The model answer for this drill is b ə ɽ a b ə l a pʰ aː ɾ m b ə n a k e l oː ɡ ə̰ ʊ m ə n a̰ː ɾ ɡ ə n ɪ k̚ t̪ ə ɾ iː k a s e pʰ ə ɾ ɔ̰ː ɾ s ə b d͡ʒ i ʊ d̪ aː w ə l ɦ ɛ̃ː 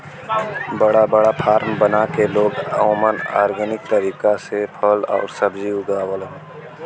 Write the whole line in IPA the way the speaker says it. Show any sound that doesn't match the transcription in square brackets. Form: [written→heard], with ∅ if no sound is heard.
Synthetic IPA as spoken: b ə ɽ a b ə [l→ɽ] a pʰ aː ɾ m b ə n a k e l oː ɡ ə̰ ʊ m ə n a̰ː ɾ ɡ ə n ɪ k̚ t̪ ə ɾ iː k a s e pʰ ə [ɾ→l] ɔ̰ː ɾ s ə b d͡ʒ i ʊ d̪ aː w ə l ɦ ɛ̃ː